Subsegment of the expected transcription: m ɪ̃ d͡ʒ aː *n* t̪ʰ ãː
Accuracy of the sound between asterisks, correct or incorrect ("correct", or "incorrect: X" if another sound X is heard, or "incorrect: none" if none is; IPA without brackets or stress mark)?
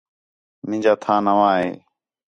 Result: incorrect: none